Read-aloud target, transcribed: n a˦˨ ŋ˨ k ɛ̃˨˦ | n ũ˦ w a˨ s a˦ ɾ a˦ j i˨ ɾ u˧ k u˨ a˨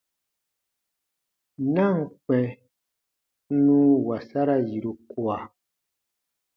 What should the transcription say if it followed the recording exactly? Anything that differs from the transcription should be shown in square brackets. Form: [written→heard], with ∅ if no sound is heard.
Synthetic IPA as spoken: n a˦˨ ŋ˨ [k→k͡p] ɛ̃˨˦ | n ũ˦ w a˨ s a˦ ɾ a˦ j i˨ ɾ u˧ k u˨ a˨